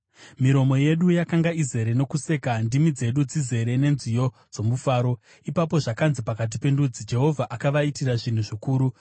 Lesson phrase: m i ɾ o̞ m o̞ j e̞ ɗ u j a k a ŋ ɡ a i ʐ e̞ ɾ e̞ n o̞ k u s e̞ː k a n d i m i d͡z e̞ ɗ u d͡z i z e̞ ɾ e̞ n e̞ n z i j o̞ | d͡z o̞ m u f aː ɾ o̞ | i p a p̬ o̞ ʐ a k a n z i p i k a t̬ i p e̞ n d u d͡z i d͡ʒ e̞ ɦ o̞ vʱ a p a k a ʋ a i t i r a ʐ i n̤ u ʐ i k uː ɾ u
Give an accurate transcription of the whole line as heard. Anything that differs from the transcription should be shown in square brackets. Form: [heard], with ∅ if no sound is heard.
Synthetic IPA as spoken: m i ɾ o̞ m o̞ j e̞ ɗ u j a k a ŋ ɡ a i [z] e̞ ɾ e̞ n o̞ k u s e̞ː k a n d i m i d͡z e̞ ɗ u d͡z i z e̞ ɾ e̞ n e̞ n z i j o̞ | d͡z o̞ m u f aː ɾ o̞ | i p a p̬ o̞ ʐ a k a n z i p [a] k a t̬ i p e̞ n d u d͡z i d͡ʒ e̞ ɦ o̞ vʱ a [ʔ] a k a ʋ a i t i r a ʐ i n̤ u ʐ i k uː ɾ u